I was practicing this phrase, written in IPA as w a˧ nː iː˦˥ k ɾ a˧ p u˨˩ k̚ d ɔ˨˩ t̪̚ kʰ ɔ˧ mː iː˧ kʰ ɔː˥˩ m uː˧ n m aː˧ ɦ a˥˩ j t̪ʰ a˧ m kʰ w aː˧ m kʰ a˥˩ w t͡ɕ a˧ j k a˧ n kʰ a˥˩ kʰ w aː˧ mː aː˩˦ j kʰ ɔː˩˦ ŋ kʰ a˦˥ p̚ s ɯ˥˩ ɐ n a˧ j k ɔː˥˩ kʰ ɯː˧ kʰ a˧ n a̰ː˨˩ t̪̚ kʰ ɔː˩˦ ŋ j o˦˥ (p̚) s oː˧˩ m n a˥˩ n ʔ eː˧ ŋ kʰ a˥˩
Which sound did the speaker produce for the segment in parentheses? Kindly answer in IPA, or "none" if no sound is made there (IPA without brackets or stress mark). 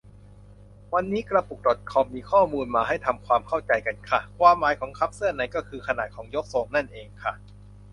k̚